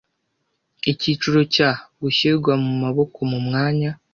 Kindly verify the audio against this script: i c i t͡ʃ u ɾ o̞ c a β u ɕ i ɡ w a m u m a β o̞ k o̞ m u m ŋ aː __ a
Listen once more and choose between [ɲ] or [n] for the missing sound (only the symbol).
ɲ